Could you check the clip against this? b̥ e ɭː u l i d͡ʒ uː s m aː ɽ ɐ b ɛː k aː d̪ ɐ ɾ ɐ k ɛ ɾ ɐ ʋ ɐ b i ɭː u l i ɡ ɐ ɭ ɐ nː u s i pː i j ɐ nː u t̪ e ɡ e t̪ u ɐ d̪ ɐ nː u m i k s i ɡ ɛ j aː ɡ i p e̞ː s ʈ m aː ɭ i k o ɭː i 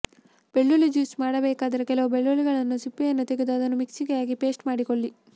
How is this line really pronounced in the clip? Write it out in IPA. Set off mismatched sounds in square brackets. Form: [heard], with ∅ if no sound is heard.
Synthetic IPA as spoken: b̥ e ɭː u l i d͡ʒ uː s m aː ɽ ɐ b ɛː k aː d̪ ɐ ɾ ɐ k ɛ [l] ɐ ʋ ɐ b [e] ɭː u l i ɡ ɐ ɭ ɐ nː u s i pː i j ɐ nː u t̪ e ɡ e [d̪] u ɐ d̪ ɐ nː u m i k s i ɡ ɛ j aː ɡ i p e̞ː s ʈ m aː [ɽ] i k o ɭː i